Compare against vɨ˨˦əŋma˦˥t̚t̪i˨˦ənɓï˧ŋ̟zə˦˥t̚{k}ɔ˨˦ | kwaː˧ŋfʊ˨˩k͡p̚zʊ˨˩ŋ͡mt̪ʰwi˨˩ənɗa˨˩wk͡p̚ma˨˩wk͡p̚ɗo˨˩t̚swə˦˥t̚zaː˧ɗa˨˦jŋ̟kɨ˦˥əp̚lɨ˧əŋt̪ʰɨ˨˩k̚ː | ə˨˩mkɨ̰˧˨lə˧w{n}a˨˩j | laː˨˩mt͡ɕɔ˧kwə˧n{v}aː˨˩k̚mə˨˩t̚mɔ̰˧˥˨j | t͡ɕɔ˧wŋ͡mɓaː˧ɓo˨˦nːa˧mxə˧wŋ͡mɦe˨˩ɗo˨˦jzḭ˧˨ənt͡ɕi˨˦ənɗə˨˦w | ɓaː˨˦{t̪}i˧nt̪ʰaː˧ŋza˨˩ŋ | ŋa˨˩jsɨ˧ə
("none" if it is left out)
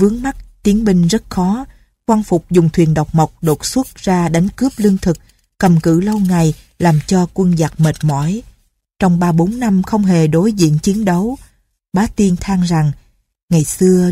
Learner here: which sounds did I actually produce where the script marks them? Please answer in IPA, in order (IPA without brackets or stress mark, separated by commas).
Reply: x, ŋ, z, t̪